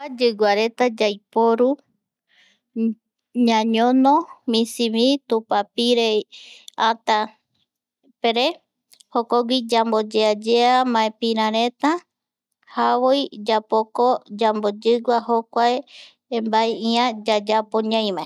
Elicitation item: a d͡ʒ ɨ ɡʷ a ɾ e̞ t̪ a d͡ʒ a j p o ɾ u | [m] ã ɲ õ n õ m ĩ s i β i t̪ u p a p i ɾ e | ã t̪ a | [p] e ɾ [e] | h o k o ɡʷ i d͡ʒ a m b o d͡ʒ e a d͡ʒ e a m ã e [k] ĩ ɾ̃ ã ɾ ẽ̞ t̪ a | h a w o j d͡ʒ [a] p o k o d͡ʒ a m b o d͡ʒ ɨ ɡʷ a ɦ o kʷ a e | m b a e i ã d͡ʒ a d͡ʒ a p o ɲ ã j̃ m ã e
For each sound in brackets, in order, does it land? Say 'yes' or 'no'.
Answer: no, yes, yes, no, yes

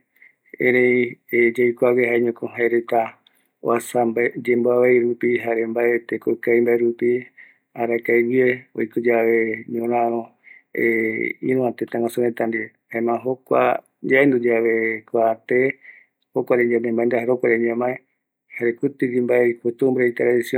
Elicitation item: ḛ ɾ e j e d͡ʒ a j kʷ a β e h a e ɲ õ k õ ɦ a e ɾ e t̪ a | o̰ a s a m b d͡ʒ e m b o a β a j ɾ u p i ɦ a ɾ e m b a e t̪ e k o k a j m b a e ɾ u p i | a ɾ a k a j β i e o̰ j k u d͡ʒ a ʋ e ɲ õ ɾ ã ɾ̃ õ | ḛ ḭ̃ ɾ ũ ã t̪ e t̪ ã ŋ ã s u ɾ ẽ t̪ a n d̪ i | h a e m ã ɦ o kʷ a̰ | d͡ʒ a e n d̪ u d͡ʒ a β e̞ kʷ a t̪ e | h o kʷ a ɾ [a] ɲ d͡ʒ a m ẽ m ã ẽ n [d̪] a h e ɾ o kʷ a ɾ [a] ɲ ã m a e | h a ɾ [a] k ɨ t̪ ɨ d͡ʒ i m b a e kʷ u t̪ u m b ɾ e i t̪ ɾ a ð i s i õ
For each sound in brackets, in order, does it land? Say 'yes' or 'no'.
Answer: no, yes, no, no

